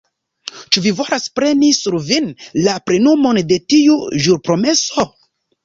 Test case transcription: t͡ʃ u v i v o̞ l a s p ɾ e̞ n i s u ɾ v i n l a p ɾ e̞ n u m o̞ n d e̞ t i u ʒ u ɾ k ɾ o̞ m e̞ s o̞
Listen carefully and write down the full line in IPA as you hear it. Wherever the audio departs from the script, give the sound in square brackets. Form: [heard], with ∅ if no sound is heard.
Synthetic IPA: t͡ʃ u v i v o̞ l a s p ɾ e̞ n i s u ɾ v i n l a p ɾ e̞ n u m o̞ n d e̞ t i u ʒ u ɾ [p] ɾ o̞ m e̞ s o̞

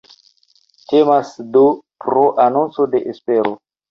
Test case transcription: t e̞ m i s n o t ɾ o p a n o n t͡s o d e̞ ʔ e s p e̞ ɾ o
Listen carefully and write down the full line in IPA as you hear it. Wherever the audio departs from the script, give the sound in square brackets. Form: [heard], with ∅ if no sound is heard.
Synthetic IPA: t e̞ m [a] s [d] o [p] ɾ o [ʔ] a n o n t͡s o d e̞ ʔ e s p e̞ ɾ o

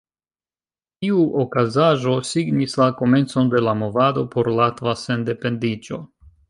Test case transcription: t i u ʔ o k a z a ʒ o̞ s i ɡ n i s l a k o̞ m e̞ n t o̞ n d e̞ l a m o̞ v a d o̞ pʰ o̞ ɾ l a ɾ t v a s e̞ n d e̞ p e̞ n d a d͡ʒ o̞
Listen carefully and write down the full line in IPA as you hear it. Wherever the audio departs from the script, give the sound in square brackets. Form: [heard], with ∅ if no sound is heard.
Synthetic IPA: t i u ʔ o k a z a ʒ o̞ s i ɡ n i s l a k o̞ m e̞ n [t͡s] o̞ n d e̞ l a m o̞ v a d o̞ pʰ o̞ ɾ l a [∅] t v a s e̞ n d e̞ p e̞ n d [i] d͡ʒ o̞

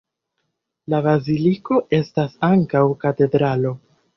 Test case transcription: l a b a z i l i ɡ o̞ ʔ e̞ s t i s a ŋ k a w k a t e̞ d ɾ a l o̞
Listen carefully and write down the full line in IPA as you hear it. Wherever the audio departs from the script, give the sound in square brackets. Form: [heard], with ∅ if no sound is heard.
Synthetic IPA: l a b a z i l i [k] o̞ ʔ e̞ s t [a] s a ŋ k a w k a t e̞ d ɾ a l o̞

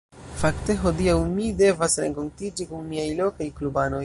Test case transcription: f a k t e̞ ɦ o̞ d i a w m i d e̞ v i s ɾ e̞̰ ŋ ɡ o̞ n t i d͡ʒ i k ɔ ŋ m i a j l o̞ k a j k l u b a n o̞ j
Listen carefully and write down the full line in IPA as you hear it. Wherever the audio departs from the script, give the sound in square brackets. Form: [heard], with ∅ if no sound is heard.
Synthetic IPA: f a k t e̞ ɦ o̞ d i a w m i d e̞ v [a] s ɾ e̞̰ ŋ [k] o̞ n t i d͡ʒ i k [u] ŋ m i a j l o̞ k a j k l u b a n o̞ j

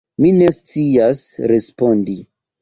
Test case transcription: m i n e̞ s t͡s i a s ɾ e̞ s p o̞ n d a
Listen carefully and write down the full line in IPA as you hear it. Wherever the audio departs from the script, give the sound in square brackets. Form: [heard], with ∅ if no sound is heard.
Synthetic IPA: m i n e̞ s t͡s i a s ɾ e̞ s p o̞ n d [i]

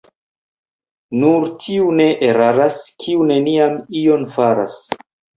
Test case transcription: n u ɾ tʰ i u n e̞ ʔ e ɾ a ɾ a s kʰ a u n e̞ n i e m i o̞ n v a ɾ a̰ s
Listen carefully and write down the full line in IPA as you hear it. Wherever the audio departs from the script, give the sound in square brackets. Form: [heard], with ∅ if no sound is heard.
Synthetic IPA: n u ɾ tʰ i u n e̞ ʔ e ɾ a ɾ a s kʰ [i] u n e̞ n i [a] m i o̞ n [f] a ɾ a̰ s

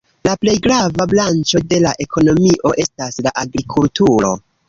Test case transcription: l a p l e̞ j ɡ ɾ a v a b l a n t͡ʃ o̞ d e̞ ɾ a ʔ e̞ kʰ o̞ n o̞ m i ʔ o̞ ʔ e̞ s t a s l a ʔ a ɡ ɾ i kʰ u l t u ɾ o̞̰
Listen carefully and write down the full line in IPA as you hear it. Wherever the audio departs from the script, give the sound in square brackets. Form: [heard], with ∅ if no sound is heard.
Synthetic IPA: l a p l e̞ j ɡ ɾ a v a b l a n t͡ʃ o̞ d e̞ [l] a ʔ e̞ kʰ o̞ n o̞ m i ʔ o̞ ʔ e̞ s t a s l a ʔ a ɡ ɾ i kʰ u l t u ɾ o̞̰

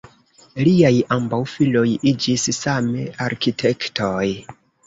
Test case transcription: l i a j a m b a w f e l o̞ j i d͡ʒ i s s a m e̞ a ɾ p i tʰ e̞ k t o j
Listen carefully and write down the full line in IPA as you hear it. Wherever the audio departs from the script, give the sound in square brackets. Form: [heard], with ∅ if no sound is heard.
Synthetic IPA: l i a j a m b a w f [i] l o̞ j i d͡ʒ i s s a m e̞ a ɾ [k] i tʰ e̞ k t o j

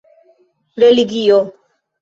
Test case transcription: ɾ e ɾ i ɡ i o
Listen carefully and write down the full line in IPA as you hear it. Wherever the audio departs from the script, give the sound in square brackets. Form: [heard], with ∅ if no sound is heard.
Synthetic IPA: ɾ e [l] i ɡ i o

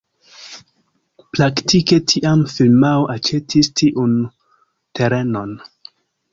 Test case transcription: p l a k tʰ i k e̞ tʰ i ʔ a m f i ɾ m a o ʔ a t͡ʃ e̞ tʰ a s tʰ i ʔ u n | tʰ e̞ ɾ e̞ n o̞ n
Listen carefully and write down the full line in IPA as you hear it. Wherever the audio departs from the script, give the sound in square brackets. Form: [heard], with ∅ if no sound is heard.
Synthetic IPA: p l a k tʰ i k e̞ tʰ i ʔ a m f i [l] m a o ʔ a t͡ʃ e̞ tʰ [i] s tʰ i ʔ u n | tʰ e̞ ɾ e̞ n o̞ n

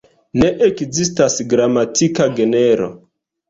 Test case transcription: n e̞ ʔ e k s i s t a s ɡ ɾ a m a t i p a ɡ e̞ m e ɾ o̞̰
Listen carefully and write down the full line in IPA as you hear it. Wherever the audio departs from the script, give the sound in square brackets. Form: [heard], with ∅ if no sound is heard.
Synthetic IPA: n e̞ ʔ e k [z] i s t a s ɡ ɾ a m a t i [k] a ɡ e̞ [n] e ɾ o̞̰

